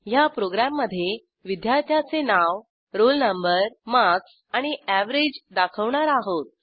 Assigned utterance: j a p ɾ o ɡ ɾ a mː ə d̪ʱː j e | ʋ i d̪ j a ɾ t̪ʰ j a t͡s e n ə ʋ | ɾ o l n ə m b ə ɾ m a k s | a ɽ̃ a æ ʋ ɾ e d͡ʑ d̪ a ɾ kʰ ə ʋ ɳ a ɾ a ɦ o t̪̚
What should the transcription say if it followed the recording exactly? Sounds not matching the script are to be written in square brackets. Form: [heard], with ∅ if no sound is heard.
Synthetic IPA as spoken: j a p ɾ o ɡ ɾ a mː ə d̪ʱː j e | ʋ i d̪ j a ɾ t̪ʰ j a t͡s e n [a] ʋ | ɾ o l n ə m b ə ɾ m a k s | a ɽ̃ [i] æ ʋ ɾ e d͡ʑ d̪ a [∅] kʰ ə ʋ ɳ a ɾ a ɦ o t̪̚